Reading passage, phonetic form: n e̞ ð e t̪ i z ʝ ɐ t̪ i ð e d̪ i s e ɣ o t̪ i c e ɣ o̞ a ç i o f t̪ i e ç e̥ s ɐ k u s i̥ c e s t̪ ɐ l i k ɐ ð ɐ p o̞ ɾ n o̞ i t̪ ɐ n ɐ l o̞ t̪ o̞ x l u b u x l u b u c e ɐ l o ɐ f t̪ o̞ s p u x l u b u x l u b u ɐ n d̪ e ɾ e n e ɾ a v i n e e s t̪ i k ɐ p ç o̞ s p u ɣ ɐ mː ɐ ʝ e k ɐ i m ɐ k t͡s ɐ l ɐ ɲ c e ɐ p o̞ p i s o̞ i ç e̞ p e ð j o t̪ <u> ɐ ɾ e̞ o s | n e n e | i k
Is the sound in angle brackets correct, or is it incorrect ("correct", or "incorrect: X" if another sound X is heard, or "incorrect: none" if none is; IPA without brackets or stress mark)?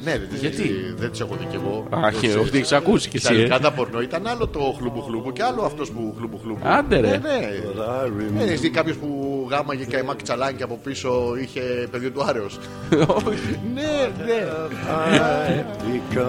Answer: correct